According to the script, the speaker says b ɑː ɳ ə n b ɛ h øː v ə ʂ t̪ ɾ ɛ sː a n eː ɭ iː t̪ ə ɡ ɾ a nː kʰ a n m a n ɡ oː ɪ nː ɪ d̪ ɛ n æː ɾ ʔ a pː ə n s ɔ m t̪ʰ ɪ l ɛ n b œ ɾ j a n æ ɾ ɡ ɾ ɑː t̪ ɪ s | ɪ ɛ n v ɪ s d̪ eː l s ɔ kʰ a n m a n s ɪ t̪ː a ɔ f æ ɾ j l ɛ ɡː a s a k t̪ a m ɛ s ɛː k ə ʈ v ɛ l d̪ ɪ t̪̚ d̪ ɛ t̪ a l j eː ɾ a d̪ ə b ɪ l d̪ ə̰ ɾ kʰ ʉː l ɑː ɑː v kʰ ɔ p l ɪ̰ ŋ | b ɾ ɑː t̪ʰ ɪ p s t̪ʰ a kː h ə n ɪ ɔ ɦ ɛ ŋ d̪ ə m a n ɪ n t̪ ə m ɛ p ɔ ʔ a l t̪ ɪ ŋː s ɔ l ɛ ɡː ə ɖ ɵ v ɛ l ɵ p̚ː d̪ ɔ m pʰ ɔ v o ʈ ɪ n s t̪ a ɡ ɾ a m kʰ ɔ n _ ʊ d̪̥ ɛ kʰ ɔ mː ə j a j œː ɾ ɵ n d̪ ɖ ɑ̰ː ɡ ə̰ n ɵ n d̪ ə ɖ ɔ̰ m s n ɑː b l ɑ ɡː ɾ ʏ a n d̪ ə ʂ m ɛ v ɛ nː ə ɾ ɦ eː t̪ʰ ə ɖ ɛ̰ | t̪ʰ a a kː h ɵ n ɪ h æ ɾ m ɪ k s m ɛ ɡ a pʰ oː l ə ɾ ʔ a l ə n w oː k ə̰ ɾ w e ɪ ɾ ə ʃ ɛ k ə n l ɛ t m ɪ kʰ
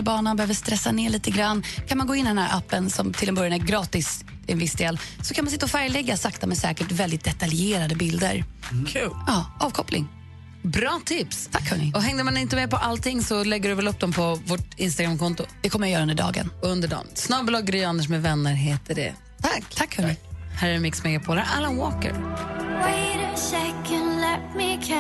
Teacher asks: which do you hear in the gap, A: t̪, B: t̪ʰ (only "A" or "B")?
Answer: A